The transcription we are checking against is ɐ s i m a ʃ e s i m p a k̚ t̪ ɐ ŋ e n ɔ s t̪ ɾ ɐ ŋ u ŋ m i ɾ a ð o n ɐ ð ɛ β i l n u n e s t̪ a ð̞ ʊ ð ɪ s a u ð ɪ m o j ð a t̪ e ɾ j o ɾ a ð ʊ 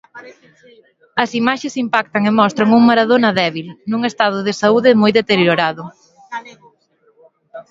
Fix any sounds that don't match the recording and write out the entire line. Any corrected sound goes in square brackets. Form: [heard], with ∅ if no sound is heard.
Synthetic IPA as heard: ɐ s i m a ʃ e s i m p a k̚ t̪ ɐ ŋ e [m] ɔ s t̪ ɾ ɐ ŋ u ŋ m [a] ɾ a ð o n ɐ ð ɛ β i l n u [ŋ] e s t̪ a ð̞ ʊ ð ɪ s a u ð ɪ m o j ð [e] t̪ e ɾ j o ɾ a ð ʊ